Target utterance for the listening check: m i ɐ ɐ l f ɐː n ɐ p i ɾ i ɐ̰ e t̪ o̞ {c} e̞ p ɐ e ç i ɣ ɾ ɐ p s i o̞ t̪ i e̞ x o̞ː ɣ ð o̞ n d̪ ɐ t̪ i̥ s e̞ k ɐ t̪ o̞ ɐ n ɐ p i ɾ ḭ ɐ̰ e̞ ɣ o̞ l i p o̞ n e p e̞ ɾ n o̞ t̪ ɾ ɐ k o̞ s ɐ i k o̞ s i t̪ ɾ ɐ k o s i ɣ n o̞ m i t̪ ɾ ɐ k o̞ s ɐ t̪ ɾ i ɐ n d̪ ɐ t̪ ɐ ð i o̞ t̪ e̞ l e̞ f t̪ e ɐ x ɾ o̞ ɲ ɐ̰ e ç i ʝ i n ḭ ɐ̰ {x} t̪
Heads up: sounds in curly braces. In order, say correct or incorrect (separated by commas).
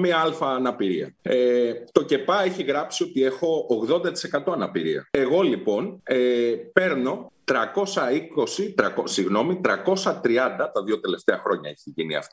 correct, incorrect